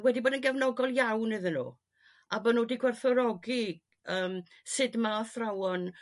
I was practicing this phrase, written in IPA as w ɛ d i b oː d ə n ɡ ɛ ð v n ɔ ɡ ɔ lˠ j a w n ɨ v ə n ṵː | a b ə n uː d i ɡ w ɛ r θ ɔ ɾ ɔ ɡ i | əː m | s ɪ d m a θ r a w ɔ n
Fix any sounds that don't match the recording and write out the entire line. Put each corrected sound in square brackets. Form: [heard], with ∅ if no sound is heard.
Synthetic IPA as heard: w ɛ d i b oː d ə n ɡ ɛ [∅] v n ɔ ɡ ɔ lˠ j a w n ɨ [ð] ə n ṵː | a b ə n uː d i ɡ w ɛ r θ ɔ ɾ ɔ ɡ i | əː m | s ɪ d m a θ r a w ɔ n